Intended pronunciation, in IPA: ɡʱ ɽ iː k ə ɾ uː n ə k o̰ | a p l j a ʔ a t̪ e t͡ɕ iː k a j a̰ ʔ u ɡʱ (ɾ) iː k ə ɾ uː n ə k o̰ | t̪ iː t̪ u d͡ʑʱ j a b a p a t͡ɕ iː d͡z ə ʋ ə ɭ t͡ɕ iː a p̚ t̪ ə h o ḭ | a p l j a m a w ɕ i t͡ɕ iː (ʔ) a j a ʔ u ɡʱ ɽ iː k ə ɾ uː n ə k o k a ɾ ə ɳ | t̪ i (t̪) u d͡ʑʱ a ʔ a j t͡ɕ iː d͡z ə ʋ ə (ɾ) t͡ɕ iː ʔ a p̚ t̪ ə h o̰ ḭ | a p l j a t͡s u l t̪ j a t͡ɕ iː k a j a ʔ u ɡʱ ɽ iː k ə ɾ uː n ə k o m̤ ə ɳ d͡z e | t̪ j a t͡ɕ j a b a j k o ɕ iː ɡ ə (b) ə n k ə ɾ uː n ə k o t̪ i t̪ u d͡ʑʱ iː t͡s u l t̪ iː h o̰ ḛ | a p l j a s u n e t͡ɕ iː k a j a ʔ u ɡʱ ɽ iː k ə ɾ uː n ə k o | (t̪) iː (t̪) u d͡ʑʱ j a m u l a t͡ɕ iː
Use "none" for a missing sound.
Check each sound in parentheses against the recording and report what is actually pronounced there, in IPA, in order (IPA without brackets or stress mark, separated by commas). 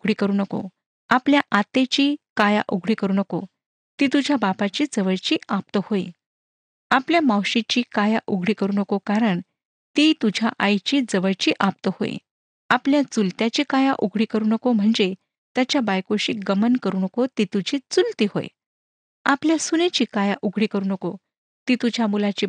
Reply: ɽ, k, t̪, ɭ, m, t̪, t̪